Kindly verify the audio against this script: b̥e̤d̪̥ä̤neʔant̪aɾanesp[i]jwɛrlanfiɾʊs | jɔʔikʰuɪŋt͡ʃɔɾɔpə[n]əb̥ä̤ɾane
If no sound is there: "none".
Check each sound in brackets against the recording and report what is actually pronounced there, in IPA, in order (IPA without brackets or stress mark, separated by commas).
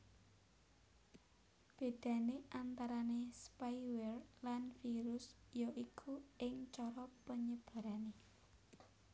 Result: a, ɲ